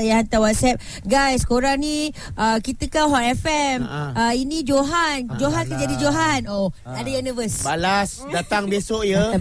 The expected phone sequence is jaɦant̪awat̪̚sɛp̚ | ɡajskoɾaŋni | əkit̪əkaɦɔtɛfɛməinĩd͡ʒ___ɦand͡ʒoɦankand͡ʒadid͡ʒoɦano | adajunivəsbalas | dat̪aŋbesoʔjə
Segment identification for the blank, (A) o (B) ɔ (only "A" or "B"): A